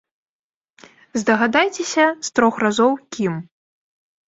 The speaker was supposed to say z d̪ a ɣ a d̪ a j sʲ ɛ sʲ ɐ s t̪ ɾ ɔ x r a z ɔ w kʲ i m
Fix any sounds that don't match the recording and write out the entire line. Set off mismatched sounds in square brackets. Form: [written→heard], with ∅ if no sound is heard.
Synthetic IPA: z d̪ [a→ɐ] ɣ a d̪ a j [sʲ→t͡sʲ] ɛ sʲ ɐ s t̪ ɾ ɔ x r a z ɔ w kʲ i m